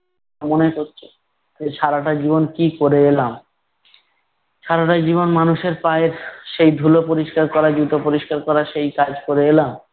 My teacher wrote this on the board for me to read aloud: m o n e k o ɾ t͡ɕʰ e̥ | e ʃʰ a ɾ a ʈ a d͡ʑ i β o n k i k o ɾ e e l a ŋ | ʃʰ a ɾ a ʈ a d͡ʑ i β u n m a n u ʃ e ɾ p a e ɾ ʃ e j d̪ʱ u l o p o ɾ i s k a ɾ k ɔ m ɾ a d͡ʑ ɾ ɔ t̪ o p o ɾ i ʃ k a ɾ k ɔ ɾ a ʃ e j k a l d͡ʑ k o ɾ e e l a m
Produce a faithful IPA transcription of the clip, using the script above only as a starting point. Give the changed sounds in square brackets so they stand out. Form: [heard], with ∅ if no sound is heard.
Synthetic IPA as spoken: m o n e k o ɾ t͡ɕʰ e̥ | e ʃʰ a ɾ a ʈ a d͡ʑ i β o n k i k o ɾ e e l a [m] | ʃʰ a ɾ a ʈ a d͡ʑ i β [o] n m a n u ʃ e ɾ p a e ɾ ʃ e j d̪ʱ u l o p o ɾ i [ʃ] k a ɾ k ɔ [∅] ɾ a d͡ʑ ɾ [u] t̪ o p o ɾ i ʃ k a ɾ k ɔ ɾ a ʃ e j k a [∅] d͡ʑ k o ɾ e e l a m